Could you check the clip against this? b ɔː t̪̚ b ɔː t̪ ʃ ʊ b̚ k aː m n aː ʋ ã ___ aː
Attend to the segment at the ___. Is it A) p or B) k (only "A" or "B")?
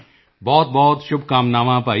A